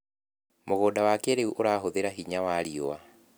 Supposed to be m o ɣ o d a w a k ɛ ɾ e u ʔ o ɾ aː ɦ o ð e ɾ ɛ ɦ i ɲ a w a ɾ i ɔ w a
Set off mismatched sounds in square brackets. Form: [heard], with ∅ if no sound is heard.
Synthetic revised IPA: m o ɣ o d a w a k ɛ ɾ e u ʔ o ɾ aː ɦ o ð e ɾ [a] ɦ i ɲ a w a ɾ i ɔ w a